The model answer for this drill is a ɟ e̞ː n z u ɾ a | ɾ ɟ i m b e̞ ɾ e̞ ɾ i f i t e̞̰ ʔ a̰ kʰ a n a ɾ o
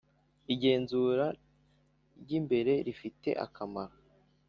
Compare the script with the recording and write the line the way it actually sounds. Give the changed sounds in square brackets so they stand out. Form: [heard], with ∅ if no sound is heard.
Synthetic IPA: [i] ɟ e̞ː n z u ɾ a | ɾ ɟ i m b e̞ ɾ e̞ ɾ i f i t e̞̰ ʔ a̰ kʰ a [m] a ɾ o

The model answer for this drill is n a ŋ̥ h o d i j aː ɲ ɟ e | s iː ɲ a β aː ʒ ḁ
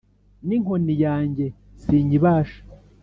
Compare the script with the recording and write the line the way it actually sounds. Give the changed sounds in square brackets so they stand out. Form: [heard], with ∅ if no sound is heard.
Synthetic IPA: n [i] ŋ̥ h o [n] i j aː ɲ ɟ e | s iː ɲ [i] β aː [ʃ] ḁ

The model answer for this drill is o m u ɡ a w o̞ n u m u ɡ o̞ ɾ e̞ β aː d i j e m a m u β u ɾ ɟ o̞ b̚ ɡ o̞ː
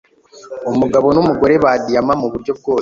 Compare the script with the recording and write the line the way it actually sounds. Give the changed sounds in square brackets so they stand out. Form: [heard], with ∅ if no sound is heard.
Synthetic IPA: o m u ɡ a [β] o̞ n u m u ɡ o̞ ɾ e̞ β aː d i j [a] m a m u β u ɾ ɟ o̞ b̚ ɡ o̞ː

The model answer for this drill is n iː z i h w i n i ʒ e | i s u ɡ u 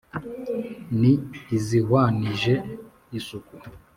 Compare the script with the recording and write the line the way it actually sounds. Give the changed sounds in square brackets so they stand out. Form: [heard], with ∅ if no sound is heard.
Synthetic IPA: n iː z i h w [a] n i ʒ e | i s u [k] u

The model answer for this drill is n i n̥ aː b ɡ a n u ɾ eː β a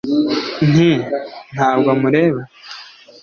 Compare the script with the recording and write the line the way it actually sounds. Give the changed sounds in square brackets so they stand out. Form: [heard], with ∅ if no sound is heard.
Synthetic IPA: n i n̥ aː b ɡ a [m] u ɾ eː β a

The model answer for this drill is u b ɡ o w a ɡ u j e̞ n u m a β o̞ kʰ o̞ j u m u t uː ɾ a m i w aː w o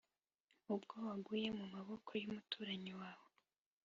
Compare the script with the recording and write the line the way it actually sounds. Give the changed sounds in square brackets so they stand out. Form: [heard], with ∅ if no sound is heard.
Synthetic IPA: u b ɡ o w a ɡ u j e̞ [m] u m a β o̞ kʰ o̞ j u m u t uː ɾ a [ɲ] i w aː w o

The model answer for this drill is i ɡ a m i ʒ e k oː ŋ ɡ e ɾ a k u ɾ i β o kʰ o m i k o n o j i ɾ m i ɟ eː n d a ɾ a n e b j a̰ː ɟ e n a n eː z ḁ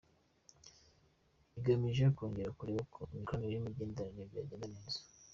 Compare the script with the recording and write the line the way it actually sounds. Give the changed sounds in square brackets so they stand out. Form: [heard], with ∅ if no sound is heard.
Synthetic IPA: i ɡ a m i ʒ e k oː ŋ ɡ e ɾ a k u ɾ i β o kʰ o m i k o n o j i [∅] m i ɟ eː n d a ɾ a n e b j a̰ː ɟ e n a n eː z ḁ

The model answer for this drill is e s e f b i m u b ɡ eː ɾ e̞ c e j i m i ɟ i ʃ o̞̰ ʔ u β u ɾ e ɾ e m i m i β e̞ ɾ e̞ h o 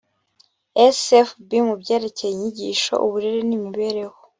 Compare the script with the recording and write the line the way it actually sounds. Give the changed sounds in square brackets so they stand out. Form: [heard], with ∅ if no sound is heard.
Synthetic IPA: e s e f b i m u b [ɟ] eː ɾ e̞ c e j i [ɲ] i ɟ i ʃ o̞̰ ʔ u β u ɾ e ɾ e [n] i m i β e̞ ɾ e̞ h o

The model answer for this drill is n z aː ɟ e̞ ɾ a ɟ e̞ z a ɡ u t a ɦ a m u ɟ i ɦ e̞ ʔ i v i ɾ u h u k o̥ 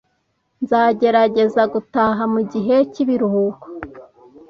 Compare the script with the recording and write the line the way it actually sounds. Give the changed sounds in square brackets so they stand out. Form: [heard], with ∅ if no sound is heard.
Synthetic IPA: n z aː ɟ e̞ ɾ a ɟ e̞ z a ɡ u t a ɦ a m u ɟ i ɦ e̞ [c] i [β] i ɾ u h u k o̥

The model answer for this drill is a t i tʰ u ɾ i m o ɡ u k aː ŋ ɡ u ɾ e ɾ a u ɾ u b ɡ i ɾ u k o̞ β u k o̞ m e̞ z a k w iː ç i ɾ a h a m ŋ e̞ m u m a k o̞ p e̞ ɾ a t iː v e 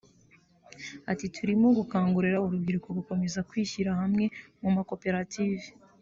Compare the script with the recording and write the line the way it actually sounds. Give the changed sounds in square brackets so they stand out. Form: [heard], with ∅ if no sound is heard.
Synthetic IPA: a t i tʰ u ɾ i m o ɡ u k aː ŋ ɡ u ɾ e ɾ a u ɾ u b ɡ i ɾ u k o̞ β u k o̞ m e̞ z a k w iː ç i ɾ a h a m ŋ e̞ m u m a k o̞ p e̞ ɾ a t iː v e

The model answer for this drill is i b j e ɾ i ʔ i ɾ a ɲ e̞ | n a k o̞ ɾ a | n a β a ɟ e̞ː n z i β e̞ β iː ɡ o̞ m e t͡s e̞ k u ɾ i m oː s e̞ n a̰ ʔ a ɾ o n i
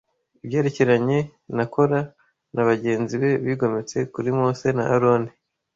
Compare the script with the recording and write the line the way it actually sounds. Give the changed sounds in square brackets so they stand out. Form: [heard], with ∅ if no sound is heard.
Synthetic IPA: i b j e ɾ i [c] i ɾ a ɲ e̞ | n a k o̞ ɾ a | n a β a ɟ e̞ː n z i β e̞ β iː ɡ o̞ m e t͡s e̞ k u ɾ i m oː s e̞ n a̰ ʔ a ɾ o n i

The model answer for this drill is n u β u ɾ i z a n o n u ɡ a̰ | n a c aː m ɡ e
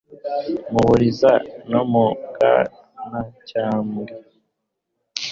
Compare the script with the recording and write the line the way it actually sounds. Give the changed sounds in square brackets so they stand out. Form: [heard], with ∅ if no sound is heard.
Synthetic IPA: [m] u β u ɾ i z a n o [m] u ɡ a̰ | n a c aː m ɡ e

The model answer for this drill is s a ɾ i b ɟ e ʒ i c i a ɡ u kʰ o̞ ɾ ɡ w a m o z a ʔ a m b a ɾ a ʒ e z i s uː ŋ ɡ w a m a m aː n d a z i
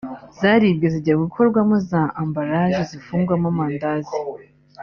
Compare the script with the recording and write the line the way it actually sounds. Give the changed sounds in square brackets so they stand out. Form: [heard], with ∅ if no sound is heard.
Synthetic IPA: [z] a ɾ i b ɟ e [z] i [ɟ] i a ɡ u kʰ o̞ ɾ ɡ w a m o z a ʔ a m b a ɾ a ʒ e z i [f] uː ŋ ɡ w a m a m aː n d a z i

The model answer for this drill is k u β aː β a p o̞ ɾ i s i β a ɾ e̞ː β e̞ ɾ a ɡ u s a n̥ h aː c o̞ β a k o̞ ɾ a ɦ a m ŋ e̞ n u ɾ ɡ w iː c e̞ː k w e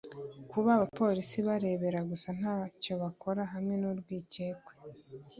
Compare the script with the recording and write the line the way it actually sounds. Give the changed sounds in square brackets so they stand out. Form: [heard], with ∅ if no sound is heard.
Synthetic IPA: k u β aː β a p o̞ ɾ i s i β a ɾ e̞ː β e̞ ɾ a ɡ u s a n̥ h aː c o̞ β a k o̞ ɾ a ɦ a m ŋ e̞ n u ɾ ɡ w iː c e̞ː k w e

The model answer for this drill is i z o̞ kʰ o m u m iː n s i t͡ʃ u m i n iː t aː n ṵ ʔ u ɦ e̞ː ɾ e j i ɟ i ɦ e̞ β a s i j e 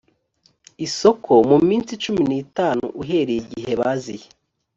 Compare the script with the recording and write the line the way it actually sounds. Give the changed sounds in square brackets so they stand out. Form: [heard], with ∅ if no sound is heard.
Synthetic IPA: i [s] o̞ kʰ o m u m iː n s i t͡ʃ u m i n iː t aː n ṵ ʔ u ɦ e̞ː ɾ e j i ɟ i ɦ e̞ β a [z] i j e

